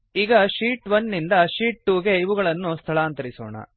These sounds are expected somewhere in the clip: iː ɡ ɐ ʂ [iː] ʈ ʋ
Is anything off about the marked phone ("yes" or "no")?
no